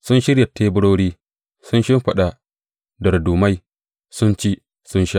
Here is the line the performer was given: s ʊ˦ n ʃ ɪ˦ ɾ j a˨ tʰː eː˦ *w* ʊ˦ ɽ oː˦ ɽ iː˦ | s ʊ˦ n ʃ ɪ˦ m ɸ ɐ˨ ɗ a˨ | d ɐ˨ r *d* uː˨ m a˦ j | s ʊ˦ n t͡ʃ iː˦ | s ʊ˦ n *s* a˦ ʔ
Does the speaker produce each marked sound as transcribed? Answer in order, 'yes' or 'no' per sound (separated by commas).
no, yes, no